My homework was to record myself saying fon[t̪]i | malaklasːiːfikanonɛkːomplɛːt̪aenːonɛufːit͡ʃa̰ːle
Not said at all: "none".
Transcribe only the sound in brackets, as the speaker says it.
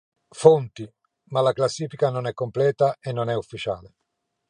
t̪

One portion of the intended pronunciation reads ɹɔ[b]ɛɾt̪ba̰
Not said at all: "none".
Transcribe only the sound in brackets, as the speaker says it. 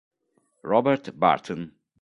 b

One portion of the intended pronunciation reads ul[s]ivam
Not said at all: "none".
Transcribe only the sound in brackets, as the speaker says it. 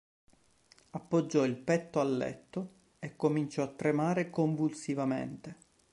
s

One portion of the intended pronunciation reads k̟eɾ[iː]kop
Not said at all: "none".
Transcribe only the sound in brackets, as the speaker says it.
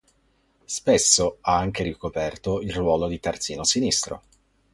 i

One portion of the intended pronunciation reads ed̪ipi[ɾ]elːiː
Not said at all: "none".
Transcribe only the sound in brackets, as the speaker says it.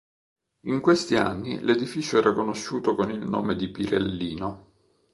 ɾ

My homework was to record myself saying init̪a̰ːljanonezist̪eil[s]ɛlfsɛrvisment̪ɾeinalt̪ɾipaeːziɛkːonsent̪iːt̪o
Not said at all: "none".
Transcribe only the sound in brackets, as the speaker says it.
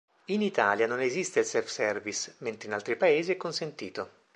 s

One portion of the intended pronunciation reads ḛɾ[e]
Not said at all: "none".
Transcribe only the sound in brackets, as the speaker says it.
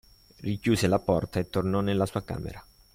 a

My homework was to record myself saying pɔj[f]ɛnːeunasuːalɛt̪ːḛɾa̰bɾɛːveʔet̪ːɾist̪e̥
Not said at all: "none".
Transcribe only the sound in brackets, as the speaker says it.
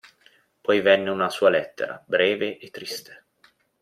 v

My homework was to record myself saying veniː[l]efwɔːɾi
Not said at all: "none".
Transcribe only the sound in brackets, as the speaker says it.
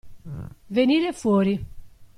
ɾ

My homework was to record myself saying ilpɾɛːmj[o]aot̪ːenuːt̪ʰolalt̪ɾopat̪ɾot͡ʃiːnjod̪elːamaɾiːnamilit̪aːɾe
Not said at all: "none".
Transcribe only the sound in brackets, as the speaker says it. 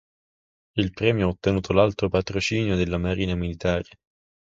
o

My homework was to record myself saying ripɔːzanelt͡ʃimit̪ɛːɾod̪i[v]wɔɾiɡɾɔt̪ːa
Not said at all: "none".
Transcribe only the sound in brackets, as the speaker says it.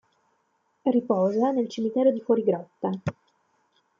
f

